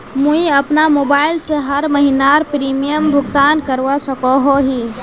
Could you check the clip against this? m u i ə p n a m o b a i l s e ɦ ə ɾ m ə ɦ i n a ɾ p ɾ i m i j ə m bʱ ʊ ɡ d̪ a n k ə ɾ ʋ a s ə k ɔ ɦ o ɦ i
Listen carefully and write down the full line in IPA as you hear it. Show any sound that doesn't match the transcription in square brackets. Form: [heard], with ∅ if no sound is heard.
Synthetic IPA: m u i ə p n a m o b a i l s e ɦ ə ɾ m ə ɦ i n a ɾ p ɾ i m i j ə m bʱ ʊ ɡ [t̪] a n k ə ɾ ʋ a s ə k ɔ ɦ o ɦ i